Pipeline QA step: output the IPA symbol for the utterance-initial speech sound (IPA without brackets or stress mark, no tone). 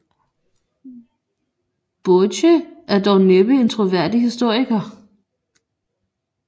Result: b̥